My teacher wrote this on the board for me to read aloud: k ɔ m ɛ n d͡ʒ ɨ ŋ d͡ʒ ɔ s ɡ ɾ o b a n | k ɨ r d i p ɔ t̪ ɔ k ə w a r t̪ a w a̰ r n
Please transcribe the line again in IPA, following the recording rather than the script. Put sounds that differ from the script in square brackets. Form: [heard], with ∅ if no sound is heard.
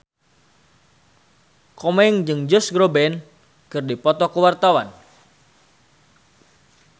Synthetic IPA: k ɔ m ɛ [ŋ] d͡ʒ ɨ ŋ d͡ʒ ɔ s ɡ ɾ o b [ɛ] n | k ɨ r d i p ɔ t̪ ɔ k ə w a r t̪ a w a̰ [∅] n